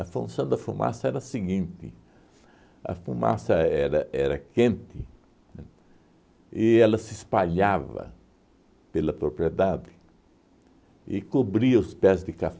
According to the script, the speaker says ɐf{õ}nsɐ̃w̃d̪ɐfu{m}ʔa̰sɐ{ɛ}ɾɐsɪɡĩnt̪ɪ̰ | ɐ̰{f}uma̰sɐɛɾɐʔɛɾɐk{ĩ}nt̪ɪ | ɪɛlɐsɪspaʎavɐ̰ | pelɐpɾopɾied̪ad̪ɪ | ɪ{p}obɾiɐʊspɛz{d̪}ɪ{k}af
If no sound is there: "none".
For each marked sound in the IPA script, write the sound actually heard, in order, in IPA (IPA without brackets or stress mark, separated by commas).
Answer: ũ, m, ɛ, f, ẽ, k, d̪, k